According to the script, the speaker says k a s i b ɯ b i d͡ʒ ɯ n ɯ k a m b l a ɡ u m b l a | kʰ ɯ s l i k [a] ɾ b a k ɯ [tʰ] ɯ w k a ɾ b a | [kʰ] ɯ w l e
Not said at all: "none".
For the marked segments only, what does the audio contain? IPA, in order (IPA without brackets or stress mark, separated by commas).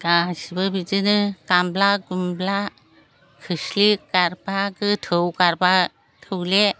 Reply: a, tʰ, tʰ